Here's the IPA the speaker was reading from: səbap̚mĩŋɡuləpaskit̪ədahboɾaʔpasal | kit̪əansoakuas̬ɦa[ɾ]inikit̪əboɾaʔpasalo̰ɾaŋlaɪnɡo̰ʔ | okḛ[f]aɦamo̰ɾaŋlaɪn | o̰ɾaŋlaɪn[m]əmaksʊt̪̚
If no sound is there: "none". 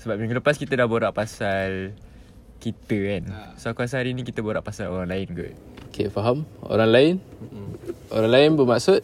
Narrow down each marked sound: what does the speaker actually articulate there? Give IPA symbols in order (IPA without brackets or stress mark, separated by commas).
ɾ, f, b